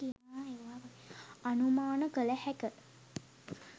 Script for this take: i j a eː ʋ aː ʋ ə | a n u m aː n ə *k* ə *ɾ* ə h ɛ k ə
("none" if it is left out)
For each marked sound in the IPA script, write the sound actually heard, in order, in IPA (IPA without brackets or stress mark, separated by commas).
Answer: k, l